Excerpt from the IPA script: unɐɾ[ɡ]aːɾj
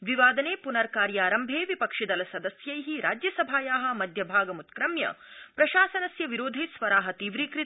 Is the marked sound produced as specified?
no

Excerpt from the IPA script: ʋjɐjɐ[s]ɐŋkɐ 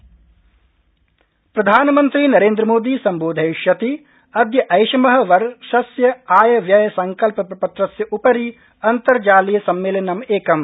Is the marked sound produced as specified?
yes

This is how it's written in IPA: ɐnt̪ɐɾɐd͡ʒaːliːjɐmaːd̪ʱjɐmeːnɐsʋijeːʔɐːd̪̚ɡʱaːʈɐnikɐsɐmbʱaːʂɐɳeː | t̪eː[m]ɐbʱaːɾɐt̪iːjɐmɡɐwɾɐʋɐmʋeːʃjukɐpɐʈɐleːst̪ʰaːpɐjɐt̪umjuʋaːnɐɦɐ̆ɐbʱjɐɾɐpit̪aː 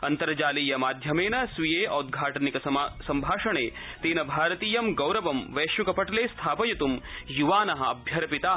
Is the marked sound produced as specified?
no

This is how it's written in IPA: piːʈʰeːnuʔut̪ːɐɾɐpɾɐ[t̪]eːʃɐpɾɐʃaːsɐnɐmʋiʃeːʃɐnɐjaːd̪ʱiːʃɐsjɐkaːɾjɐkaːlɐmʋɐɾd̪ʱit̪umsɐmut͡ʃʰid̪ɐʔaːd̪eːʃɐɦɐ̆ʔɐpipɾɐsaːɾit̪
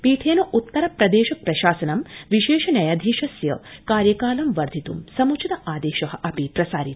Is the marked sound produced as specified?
no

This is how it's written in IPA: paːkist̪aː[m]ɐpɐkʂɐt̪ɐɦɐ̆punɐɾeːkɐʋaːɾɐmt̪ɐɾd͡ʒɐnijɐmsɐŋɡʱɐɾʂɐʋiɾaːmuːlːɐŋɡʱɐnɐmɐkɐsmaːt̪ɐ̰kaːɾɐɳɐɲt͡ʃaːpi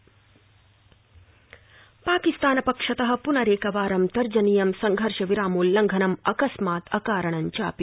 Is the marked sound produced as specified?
no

